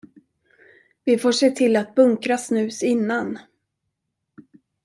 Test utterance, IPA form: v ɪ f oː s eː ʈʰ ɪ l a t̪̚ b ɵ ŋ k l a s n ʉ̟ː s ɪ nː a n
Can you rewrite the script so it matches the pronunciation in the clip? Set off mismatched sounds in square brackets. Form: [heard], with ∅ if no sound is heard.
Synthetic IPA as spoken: v ɪ f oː [ʂ] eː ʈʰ ɪ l a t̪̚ b ɵ ŋ k [ɾ] a s n ʉ̟ː s ɪ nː a n